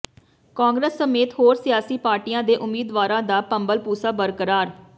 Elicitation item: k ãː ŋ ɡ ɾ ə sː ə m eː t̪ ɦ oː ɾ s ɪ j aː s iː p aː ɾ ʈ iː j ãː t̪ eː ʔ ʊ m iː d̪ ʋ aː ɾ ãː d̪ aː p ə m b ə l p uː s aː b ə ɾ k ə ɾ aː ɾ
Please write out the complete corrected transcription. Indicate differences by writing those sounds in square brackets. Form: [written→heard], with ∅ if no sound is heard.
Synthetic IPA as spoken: k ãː ŋ ɡ ɾ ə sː ə m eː t̪ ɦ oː ɾ s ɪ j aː s iː p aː ɾ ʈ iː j ãː [t̪→d̪] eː ʔ ʊ m iː d̪ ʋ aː ɾ ãː d̪ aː p ə m b ə l p uː s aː b ə ɾ k ə ɾ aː ɾ

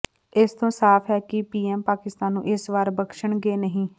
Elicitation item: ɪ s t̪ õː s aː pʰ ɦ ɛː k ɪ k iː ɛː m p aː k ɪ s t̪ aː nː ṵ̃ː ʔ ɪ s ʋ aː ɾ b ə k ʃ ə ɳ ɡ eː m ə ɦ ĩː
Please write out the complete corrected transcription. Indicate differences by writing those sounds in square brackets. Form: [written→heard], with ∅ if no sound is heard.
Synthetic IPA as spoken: ɪ s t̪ õː s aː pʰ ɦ ɛː k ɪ [k→p] iː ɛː m p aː k ɪ s t̪ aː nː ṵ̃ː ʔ ɪ s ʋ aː ɾ b ə k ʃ ə ɳ ɡ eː [m→n] ə ɦ ĩː

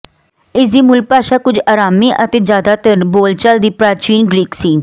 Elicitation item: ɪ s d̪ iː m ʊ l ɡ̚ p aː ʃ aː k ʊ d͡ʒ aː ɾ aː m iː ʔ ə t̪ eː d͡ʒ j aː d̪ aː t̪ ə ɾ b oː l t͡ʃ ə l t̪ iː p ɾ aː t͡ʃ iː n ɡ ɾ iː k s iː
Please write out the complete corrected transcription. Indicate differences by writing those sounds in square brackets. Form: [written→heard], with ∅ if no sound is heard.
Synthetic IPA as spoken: ɪ s d̪ iː m ʊ l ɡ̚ p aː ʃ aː k ʊ d͡ʒ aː ɾ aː m iː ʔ ə t̪ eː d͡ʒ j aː d̪ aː t̪ ə ɾ b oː l t͡ʃ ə l [t̪→d̪] iː p ɾ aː t͡ʃ iː n ɡ ɾ iː k s iː

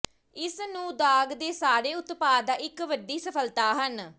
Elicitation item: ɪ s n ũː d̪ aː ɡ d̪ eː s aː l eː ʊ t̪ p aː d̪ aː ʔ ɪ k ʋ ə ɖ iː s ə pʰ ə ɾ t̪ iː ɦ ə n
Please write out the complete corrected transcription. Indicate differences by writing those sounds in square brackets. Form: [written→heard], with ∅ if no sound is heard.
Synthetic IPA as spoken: ɪ s n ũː d̪ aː ɡ d̪ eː s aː [l→ɾ] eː ʊ t̪ p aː d̪ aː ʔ ɪ k ʋ ə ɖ iː s ə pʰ ə [ɾ→l] t̪ [iː→aː] ɦ ə n

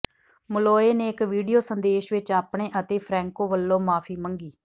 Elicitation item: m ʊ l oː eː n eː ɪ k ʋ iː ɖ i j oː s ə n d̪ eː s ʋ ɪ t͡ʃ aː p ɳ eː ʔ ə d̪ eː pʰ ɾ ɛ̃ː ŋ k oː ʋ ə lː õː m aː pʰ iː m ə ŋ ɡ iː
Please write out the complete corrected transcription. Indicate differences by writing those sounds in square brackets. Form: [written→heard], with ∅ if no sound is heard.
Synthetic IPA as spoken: m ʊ l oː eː n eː ɪ k ʋ iː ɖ i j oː s ə n d̪ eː [s→ʃ] ʋ ɪ t͡ʃ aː p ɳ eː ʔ ə [d̪→t̪] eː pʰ ɾ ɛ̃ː ŋ k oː ʋ ə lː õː m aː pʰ iː m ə ŋ ɡ iː

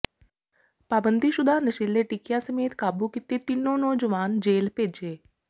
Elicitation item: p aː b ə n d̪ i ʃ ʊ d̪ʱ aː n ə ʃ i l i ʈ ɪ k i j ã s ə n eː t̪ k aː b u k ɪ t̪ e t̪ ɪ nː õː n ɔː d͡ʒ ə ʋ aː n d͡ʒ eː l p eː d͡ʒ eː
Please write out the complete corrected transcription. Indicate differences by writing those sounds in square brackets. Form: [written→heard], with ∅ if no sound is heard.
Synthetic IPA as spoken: p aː b ə n d̪ i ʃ ʊ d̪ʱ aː n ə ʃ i l [i→e] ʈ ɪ k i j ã s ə [n→m] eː t̪ k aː b u k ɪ t̪ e t̪ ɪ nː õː n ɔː d͡ʒ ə ʋ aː n d͡ʒ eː l p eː d͡ʒ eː

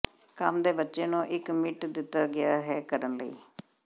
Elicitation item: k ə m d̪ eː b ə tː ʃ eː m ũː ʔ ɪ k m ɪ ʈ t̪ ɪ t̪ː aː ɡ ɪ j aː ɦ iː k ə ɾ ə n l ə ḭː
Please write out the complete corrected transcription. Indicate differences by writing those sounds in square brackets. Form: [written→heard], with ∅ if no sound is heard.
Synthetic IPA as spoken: k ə m d̪ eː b ə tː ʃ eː [m→n] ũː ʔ ɪ k m ɪ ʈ [t̪→d̪] ɪ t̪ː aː ɡ ɪ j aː ɦ [iː→ɛː] k ə ɾ ə n l ə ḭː

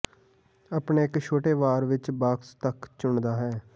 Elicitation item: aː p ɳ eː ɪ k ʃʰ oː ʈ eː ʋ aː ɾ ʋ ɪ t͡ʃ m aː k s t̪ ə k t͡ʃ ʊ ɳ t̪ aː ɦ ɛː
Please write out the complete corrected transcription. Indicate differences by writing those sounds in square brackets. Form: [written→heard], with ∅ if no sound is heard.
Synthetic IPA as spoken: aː p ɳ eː ɪ k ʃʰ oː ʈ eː ʋ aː ɾ ʋ ɪ t͡ʃ [m→b] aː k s t̪ ə k t͡ʃ ʊ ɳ [t̪→d̪] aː ɦ ɛː

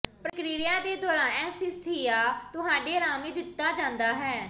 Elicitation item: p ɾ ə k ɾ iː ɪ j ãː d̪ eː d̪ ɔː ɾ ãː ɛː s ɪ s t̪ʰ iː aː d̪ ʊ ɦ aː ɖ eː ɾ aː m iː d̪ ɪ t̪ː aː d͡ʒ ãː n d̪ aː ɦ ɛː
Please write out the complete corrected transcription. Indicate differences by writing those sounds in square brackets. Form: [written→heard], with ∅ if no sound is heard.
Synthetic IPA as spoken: p ɾ ə k ɾ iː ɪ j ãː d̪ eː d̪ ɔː ɾ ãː ɛː s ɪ s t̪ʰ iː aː [d̪→t̪] ʊ ɦ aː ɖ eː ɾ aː m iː d̪ ɪ t̪ː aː d͡ʒ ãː n d̪ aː ɦ ɛː

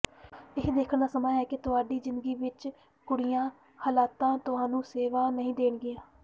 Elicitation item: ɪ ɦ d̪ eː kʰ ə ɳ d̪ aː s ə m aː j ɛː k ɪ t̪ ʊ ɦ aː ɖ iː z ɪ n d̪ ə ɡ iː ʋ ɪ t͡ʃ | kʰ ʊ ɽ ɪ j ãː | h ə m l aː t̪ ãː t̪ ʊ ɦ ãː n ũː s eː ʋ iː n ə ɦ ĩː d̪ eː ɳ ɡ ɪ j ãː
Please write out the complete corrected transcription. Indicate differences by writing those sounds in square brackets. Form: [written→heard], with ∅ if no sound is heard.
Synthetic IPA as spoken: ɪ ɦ d̪ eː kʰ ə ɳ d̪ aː s ə m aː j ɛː k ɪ t̪ ʊ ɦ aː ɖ iː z ɪ n d̪ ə ɡ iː ʋ ɪ t͡ʃ | [kʰ→k] ʊ ɽ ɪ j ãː | h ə [m→∅] l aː t̪ ãː t̪ ʊ ɦ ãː n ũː s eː ʋ [iː→aː] n ə ɦ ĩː d̪ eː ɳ ɡ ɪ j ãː

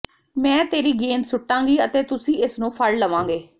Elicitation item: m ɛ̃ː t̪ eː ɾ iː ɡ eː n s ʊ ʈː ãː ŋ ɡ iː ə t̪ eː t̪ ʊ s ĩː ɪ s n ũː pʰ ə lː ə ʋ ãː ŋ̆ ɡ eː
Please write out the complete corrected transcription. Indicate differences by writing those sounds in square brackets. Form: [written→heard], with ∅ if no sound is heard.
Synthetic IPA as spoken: m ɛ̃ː t̪ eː ɾ iː ɡ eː n s ʊ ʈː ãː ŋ ɡ iː ə t̪ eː t̪ ʊ s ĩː ɪ s n ũː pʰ ə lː ə ʋ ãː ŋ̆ ɡ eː

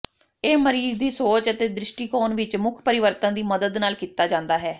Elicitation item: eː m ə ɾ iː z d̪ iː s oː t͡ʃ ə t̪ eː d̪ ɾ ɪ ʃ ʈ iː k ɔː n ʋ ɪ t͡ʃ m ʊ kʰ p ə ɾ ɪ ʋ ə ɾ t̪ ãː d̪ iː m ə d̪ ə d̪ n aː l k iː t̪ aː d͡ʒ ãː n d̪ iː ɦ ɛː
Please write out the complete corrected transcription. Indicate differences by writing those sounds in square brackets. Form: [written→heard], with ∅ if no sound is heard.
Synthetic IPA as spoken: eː m ə ɾ iː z d̪ iː s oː t͡ʃ ə t̪ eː d̪ ɾ ɪ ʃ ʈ iː k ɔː n ʋ ɪ t͡ʃ m ʊ kʰ p ə ɾ ɪ ʋ ə ɾ t̪ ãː d̪ iː m ə d̪ ə d̪ n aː l k iː t̪ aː d͡ʒ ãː n d̪ [iː→aː] ɦ ɛː

